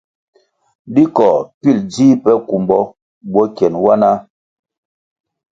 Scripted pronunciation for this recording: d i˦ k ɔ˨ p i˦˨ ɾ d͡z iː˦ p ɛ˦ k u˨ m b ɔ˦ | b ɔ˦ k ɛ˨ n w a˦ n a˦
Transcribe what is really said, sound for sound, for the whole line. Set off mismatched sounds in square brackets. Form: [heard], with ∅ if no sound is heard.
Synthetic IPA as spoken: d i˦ k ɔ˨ p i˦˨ [l] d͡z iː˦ p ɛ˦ k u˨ m b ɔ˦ | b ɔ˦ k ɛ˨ n w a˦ n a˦